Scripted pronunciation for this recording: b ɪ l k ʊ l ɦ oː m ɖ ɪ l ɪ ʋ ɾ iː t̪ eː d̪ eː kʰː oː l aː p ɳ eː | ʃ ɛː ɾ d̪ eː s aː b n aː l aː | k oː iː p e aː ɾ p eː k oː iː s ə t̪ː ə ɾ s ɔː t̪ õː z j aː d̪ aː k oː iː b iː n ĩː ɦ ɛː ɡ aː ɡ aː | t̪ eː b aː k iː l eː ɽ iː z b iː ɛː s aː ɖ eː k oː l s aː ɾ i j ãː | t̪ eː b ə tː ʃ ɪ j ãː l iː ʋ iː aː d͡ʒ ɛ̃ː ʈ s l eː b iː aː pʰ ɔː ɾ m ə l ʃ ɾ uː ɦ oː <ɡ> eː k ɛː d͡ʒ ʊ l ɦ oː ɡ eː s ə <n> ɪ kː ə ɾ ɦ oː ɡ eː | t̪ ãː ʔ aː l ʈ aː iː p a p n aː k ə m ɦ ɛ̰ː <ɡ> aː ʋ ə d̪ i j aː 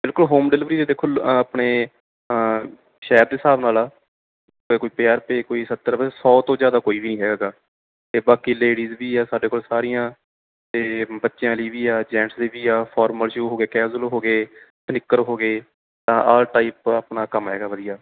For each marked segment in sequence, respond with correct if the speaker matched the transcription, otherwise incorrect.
correct, correct, correct

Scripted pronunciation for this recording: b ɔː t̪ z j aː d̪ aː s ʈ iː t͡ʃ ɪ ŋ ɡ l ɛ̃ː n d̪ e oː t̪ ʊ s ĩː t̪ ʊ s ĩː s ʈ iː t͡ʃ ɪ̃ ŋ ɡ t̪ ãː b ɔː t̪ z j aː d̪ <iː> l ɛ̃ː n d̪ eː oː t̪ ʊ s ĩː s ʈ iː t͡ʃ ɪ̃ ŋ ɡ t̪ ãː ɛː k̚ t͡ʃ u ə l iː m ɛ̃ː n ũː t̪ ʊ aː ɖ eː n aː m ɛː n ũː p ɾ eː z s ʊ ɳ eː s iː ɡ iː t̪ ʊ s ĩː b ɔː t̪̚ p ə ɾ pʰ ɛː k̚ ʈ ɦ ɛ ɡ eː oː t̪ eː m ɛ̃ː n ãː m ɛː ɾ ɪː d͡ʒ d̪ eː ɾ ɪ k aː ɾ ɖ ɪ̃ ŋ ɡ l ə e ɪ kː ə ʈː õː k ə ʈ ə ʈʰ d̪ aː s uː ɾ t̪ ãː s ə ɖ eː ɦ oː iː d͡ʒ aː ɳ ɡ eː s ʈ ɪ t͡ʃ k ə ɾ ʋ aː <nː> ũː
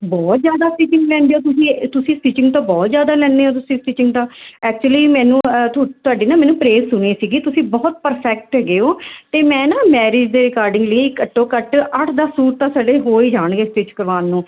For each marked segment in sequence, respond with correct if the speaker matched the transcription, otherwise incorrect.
incorrect: aː, correct

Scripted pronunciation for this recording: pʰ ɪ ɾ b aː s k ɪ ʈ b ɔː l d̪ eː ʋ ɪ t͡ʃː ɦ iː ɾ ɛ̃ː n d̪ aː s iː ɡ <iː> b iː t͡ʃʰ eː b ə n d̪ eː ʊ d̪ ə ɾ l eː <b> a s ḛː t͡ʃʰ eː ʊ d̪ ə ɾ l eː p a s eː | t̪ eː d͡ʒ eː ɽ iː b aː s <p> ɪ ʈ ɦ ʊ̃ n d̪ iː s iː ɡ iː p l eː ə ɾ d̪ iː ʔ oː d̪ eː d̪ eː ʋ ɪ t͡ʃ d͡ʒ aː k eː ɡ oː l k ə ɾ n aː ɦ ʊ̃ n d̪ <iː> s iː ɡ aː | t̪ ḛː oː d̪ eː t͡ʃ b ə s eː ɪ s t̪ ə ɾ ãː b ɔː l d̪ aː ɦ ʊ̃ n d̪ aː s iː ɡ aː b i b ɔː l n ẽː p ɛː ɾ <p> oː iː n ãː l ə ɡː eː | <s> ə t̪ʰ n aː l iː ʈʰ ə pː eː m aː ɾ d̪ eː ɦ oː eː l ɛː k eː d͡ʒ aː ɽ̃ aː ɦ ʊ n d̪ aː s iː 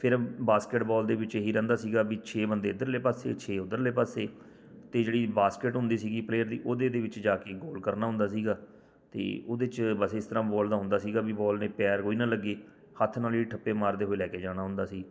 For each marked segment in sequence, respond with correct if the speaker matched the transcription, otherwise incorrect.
incorrect: aː, incorrect: p, incorrect: k, incorrect: aː, incorrect: k, incorrect: h

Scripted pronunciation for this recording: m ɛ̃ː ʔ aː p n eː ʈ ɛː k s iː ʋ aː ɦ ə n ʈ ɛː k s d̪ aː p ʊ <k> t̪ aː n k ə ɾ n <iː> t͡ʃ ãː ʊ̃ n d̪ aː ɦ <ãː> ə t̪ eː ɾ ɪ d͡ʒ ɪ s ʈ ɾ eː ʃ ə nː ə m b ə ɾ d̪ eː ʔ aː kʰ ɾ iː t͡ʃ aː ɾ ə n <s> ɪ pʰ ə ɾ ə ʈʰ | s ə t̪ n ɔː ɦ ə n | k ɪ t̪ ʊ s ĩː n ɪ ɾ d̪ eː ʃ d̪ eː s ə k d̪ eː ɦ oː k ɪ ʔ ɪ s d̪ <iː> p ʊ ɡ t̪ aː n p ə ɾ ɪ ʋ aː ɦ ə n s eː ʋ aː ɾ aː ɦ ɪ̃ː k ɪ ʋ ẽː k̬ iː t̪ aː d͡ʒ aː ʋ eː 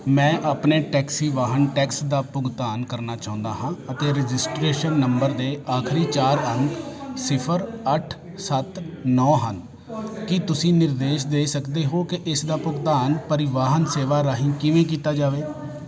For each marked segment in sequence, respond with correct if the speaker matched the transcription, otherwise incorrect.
incorrect: ɡ, incorrect: aː, correct, correct, incorrect: aː

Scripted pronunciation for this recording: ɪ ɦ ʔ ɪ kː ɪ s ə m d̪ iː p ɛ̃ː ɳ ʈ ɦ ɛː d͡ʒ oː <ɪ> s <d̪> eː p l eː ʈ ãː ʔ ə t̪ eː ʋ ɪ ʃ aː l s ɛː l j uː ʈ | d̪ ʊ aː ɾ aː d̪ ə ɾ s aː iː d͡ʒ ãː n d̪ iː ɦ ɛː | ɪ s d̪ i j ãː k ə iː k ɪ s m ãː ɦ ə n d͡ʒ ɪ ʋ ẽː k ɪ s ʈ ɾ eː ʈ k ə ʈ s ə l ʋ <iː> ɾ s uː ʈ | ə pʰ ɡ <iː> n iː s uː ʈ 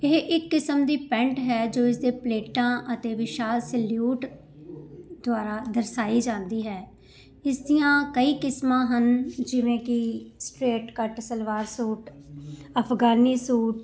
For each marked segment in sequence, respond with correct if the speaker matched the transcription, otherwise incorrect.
correct, correct, incorrect: aː, incorrect: aː

